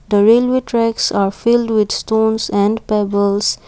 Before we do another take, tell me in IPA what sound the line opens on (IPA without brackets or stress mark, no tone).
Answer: d̪